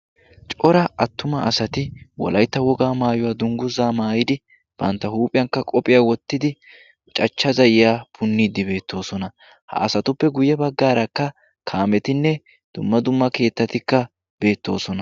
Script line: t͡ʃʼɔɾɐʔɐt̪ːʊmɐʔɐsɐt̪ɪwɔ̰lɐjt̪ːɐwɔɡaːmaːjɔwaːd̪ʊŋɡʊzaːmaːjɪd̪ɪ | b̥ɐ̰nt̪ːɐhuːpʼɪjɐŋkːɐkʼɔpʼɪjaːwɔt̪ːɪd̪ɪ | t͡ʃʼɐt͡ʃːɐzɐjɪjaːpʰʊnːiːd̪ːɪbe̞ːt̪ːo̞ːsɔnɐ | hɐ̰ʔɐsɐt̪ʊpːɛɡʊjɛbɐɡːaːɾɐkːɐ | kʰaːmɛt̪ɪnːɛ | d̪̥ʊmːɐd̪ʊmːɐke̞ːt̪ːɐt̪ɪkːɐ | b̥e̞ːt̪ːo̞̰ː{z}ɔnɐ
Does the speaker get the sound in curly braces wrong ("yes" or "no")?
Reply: yes